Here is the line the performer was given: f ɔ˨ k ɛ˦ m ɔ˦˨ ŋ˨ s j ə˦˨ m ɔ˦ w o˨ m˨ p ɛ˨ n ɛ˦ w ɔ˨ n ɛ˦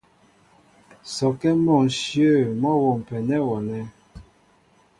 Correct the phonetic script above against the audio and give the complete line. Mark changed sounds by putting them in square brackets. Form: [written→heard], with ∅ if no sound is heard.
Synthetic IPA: [f→s] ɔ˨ k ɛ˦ m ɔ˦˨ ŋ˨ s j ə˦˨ m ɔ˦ w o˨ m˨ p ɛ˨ n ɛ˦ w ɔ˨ n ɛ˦